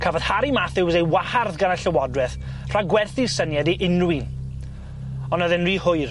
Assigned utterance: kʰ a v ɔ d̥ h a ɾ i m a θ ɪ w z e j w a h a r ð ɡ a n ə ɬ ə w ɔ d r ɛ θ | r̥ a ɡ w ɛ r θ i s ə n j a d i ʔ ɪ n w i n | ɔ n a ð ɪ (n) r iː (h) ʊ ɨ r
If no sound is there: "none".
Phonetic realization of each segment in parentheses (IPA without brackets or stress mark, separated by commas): n, h